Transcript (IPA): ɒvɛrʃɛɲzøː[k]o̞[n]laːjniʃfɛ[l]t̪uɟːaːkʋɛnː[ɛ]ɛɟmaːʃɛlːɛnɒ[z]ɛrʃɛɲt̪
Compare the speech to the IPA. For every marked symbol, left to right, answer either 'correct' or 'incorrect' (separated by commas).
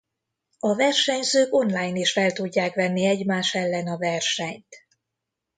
correct, correct, correct, incorrect, incorrect